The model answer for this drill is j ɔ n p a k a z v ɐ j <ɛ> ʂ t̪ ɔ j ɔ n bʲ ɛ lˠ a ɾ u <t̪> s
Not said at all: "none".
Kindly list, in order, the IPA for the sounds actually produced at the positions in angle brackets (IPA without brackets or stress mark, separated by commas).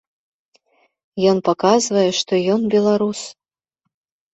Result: ɛ, none